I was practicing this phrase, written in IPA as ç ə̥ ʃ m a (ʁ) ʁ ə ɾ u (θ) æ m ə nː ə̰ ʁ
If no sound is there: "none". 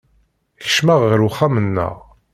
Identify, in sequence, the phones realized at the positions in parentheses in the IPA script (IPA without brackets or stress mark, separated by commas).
ʁ, χ